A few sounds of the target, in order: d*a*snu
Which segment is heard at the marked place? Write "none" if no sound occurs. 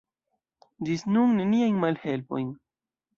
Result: i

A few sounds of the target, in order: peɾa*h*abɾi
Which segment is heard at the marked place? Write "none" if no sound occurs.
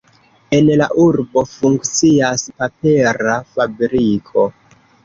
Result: f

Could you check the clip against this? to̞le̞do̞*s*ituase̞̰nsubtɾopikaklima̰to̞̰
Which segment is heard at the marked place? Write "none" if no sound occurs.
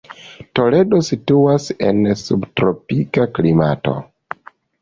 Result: s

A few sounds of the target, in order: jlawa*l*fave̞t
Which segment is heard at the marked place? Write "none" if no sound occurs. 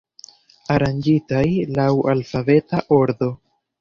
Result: l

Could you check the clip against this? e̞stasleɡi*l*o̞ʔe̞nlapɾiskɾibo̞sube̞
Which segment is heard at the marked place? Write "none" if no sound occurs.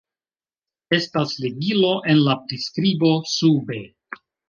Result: l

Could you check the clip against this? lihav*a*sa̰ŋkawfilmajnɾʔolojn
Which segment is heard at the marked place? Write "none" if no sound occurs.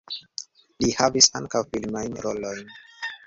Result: i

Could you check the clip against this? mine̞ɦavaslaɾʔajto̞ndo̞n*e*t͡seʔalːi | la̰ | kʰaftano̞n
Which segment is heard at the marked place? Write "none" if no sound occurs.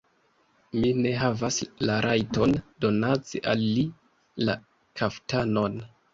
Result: a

